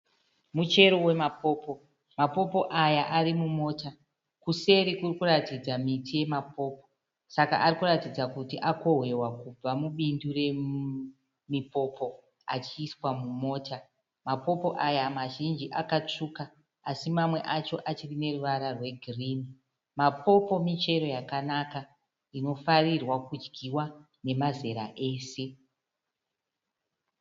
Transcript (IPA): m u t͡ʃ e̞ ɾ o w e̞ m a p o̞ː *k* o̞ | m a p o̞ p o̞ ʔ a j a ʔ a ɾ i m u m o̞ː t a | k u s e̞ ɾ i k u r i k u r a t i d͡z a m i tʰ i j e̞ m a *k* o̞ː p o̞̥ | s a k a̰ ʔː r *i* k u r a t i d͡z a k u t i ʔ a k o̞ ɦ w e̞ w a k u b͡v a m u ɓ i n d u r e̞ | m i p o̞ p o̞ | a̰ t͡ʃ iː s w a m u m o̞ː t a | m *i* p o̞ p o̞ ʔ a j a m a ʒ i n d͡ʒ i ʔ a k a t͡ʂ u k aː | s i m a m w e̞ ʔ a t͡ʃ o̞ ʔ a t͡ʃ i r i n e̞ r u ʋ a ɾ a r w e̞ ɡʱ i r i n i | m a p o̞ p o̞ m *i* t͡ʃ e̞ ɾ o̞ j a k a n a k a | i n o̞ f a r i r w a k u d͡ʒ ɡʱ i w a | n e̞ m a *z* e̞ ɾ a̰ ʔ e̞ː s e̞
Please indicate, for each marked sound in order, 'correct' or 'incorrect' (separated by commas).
incorrect, incorrect, correct, incorrect, correct, correct